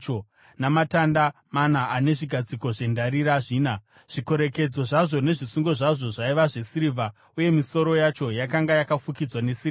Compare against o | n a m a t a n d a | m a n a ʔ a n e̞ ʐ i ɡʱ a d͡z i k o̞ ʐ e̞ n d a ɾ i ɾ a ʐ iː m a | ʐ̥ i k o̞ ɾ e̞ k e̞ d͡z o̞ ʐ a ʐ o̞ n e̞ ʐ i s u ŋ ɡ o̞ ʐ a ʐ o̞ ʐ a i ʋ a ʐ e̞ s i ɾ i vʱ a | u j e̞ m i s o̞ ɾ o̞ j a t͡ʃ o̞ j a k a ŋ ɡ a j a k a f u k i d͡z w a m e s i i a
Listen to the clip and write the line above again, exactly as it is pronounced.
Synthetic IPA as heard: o | n a m a t a n d a | m a n a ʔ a n e̞ ʐ i ɡʱ a d͡z i k o̞ ʐ e̞ n d a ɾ i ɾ a ʐ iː n a | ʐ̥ i k o̞ ɾ e̞ k e̞ d͡z o̞ ʐ a ʐ o̞ n e̞ ʐ i s u ŋ ɡ o̞ ʐ a ʐ o̞ ʐ a i ʋ a ʐ e̞ s i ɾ i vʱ a | u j e̞ m i s o̞ ɾ o̞ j a t͡ʃ o̞ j a k a ŋ ɡ a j a k a f u k i d͡z w a n e s i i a